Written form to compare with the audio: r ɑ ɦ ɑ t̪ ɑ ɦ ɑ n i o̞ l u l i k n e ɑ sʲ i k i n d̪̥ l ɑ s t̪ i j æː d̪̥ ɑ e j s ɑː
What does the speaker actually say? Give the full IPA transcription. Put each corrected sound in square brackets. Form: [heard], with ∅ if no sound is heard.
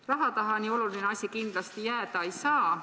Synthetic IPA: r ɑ ɦ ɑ t̪ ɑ ɦ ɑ n i o̞ l u l i [∅] n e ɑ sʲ i k i n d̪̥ l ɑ s t̪ i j æː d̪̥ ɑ e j s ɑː